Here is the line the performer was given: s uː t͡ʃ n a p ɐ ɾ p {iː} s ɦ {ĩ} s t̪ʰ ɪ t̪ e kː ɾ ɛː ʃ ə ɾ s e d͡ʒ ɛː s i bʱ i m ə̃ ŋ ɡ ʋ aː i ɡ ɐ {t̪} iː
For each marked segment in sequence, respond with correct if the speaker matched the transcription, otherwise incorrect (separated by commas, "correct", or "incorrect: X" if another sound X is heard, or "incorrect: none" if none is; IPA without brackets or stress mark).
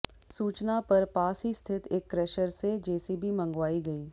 incorrect: aː, incorrect: i, incorrect: none